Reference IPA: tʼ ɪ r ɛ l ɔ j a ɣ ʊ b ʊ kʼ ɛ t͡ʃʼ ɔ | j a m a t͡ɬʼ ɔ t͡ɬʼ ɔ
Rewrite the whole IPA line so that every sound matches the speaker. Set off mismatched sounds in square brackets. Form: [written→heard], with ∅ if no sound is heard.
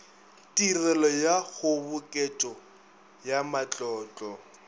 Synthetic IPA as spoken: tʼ [ɪ→i] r ɛ l ɔ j a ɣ ʊ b ʊ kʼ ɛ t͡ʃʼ ɔ | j a m a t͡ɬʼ [ɔ→ɔː] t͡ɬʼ ɔ